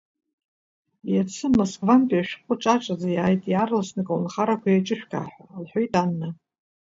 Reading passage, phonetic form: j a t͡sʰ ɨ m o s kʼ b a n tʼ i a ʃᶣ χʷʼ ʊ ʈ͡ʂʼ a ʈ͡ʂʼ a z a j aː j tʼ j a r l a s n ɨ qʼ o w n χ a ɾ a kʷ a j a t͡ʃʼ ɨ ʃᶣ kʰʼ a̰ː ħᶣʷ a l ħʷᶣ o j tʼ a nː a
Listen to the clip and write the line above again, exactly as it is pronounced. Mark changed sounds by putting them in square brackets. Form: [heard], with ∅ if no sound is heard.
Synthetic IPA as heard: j a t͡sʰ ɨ m o s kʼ [v] a n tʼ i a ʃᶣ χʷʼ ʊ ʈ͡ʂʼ a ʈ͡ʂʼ a z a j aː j tʼ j a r l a s n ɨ [kʼ] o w n χ a ɾ a kʷ a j a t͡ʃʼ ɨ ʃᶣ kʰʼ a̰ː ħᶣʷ a l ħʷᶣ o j tʼ a nː a